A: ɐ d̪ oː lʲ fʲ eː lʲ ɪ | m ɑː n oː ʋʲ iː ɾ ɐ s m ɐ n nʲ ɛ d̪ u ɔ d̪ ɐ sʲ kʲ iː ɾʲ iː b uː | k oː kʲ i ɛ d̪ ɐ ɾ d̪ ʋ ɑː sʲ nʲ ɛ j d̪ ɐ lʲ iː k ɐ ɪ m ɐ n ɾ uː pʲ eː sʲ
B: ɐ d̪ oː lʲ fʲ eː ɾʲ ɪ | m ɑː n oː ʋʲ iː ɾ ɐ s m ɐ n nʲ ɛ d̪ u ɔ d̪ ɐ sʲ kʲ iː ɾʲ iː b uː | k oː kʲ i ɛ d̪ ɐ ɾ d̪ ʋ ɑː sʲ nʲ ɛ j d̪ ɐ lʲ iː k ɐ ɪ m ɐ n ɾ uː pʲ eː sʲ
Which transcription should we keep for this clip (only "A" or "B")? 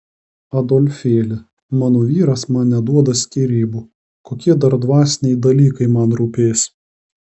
A